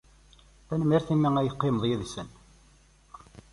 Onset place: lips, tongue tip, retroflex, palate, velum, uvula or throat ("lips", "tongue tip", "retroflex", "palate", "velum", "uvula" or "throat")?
tongue tip